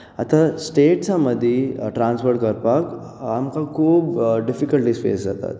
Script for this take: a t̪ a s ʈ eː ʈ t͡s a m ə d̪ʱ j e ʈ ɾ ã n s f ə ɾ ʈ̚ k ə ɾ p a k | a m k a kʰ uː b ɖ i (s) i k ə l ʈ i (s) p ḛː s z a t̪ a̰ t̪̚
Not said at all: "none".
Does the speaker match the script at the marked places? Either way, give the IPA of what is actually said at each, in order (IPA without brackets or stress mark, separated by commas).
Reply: f, s